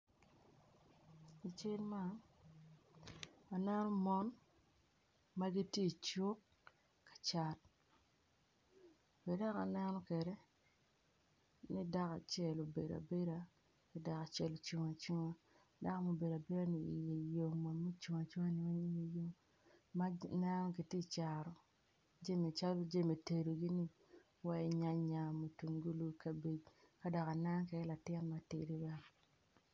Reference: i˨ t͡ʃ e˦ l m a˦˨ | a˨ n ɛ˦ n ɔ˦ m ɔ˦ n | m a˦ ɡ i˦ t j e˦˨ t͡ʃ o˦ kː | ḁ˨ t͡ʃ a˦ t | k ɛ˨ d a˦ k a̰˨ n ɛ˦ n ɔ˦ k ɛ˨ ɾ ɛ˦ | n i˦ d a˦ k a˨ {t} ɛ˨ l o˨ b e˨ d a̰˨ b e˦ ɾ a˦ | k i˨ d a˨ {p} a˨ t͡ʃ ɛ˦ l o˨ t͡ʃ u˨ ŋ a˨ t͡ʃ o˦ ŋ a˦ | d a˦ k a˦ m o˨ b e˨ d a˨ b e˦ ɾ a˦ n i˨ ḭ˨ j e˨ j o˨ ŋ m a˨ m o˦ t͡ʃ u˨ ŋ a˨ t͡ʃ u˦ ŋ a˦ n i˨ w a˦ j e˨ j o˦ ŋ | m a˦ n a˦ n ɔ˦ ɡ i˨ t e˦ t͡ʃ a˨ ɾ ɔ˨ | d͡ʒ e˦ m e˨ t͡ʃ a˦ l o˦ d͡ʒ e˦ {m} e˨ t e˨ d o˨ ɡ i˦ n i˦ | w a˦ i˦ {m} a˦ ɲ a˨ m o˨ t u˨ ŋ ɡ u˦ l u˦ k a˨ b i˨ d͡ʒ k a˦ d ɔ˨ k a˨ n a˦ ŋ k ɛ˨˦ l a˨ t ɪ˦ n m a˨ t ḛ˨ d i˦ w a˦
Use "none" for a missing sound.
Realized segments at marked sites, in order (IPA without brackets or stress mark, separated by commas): t͡ʃ, k, m, ɲ